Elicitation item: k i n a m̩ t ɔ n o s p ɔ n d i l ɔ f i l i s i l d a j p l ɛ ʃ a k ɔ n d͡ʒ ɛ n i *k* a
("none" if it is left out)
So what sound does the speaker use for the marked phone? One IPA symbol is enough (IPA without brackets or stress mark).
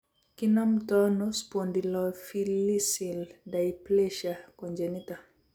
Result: t